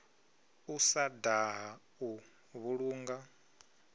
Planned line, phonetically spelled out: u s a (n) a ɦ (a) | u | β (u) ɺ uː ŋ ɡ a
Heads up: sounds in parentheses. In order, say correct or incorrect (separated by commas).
incorrect, correct, correct